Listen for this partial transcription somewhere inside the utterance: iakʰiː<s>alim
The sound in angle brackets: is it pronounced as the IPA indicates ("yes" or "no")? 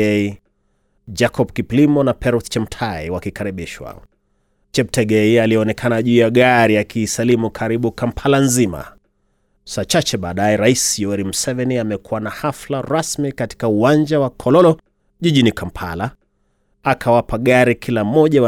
yes